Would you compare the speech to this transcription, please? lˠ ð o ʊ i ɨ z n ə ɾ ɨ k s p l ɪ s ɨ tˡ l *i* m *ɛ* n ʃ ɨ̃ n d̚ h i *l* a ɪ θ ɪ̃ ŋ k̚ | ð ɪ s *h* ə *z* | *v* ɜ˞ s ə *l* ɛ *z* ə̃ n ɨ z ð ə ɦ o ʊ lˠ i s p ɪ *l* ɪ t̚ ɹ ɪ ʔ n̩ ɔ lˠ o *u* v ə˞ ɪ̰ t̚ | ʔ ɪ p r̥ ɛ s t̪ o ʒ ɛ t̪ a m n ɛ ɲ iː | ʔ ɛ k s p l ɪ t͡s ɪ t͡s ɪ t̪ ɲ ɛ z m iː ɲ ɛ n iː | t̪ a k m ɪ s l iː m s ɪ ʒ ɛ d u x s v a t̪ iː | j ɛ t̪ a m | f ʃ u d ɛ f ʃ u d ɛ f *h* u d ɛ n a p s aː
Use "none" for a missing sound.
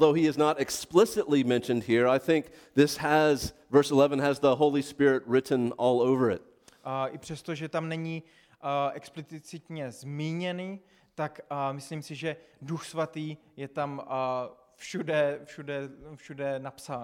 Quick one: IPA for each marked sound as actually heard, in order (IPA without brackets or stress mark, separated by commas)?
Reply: i, ɛ̃, ɹ, h, z, v, l, v, ɹ, ʊ, ʃ